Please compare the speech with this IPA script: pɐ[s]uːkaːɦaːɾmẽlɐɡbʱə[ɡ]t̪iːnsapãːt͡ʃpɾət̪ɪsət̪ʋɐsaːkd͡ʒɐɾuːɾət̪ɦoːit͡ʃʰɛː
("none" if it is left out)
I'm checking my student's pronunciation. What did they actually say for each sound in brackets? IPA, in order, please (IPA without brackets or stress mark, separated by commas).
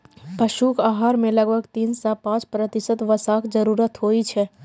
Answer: ʃ, ɡ